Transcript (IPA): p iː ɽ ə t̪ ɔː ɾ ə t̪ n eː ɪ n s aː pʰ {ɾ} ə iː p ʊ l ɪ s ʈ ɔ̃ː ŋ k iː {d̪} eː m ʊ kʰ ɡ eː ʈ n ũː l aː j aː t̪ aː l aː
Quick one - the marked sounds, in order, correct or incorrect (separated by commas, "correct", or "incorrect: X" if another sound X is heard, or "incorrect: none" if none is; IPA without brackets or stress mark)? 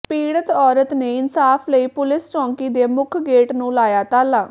incorrect: l, correct